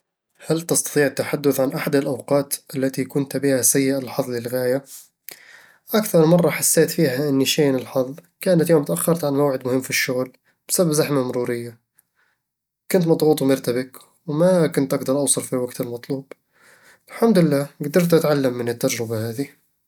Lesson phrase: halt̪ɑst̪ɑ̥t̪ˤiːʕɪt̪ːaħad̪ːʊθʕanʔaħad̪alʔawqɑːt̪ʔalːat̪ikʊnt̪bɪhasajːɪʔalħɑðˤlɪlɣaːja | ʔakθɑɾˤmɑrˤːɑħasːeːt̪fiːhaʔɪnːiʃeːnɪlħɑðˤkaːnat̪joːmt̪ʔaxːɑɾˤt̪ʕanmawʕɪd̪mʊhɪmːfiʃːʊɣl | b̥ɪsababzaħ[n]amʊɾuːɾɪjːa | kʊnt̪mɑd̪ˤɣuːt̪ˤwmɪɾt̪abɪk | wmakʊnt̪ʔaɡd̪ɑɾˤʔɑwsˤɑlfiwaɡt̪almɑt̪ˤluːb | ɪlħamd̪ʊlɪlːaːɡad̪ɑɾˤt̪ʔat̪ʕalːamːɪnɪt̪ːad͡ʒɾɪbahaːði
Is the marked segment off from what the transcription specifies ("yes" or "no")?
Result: yes